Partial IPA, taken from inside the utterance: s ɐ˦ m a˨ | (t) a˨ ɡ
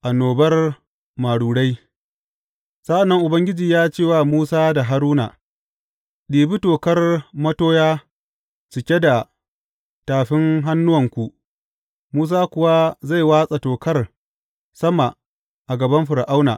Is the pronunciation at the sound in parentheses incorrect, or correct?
incorrect